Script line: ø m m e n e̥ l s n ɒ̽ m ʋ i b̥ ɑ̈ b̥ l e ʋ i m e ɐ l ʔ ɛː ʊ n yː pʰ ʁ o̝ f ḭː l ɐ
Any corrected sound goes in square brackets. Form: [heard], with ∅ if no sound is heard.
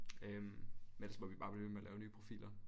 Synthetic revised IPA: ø m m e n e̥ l s [m] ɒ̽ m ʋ i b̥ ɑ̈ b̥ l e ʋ [e] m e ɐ l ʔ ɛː ʊ n yː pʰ ʁ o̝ f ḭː l ɐ